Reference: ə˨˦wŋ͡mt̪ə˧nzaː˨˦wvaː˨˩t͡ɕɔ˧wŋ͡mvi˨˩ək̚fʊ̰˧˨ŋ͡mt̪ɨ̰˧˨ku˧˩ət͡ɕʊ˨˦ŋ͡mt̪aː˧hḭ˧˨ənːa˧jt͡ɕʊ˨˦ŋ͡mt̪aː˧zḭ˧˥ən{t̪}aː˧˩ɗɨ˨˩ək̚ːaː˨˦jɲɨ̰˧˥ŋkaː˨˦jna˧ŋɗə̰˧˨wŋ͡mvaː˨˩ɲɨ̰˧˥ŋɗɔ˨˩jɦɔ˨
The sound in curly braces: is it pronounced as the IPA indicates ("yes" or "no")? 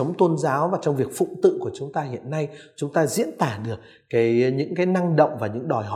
yes